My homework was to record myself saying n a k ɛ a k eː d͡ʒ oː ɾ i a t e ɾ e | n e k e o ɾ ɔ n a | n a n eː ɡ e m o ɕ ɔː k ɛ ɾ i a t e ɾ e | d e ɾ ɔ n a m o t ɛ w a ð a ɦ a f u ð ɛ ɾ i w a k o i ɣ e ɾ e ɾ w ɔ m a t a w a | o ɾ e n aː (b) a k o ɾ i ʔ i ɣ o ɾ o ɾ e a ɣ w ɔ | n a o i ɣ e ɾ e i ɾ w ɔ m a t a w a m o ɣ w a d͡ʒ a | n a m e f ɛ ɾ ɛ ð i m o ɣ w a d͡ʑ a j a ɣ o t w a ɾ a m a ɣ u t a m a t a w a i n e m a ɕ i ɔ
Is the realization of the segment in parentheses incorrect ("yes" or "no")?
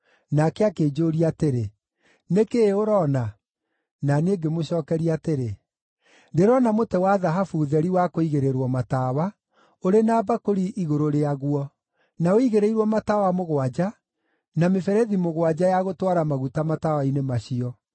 no